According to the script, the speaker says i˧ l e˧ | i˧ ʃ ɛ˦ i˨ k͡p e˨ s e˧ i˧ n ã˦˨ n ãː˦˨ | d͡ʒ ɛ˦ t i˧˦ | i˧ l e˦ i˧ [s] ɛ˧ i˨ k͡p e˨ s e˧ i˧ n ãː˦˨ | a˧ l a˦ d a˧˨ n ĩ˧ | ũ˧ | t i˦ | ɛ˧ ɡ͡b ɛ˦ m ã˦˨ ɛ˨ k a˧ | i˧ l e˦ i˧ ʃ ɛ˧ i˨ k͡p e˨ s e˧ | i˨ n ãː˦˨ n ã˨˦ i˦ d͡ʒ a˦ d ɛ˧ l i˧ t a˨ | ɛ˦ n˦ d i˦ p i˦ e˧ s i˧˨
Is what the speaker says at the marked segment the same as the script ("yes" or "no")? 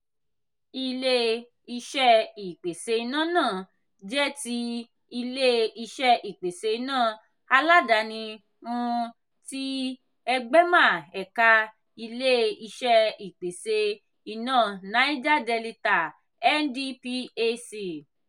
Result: no